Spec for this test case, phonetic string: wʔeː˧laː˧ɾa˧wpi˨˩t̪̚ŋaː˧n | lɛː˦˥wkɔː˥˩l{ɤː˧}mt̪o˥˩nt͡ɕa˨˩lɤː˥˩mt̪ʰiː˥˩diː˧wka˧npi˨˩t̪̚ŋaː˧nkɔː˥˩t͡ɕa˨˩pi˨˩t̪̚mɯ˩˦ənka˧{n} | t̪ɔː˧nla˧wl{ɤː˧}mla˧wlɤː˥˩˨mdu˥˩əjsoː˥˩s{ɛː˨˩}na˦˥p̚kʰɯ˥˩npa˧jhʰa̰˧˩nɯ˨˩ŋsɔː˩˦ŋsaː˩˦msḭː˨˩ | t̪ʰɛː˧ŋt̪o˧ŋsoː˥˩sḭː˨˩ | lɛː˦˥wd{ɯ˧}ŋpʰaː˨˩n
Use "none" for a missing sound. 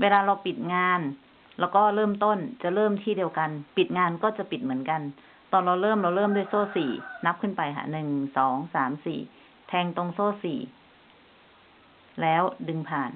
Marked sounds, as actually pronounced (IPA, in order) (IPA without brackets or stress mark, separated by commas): ɤː˥˩, n, ɤː˥˩˨, iː˨˩, ɯ˧